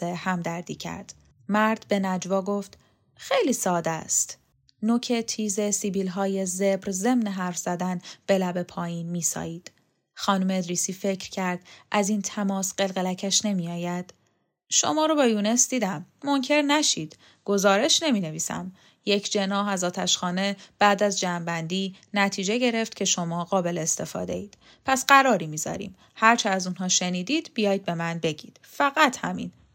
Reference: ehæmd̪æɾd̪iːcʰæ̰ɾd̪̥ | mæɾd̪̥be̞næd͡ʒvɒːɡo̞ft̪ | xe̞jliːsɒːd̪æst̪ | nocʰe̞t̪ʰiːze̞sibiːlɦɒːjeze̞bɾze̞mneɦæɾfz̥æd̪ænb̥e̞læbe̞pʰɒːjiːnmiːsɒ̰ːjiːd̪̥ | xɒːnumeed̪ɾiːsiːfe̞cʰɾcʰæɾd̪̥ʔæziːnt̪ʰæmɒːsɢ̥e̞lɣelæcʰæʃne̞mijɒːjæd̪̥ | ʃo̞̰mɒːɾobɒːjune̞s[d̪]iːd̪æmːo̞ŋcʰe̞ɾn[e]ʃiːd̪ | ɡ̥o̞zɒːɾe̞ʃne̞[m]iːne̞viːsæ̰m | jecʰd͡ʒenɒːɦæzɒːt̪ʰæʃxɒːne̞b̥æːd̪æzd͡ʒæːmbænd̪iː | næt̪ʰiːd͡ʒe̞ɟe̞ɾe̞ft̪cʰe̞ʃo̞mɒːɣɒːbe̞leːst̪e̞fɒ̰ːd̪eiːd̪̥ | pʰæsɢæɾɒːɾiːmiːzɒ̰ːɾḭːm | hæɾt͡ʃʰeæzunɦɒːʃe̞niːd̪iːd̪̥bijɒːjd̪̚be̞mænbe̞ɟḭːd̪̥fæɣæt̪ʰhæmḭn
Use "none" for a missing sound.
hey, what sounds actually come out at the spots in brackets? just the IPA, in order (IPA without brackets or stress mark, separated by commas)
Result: d̪, æ, m